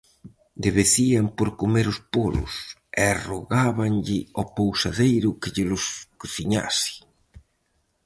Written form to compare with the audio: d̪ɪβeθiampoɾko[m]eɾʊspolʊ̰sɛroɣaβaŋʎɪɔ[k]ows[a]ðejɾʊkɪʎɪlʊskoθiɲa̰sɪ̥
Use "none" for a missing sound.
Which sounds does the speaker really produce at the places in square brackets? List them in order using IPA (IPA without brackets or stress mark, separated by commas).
m, p, a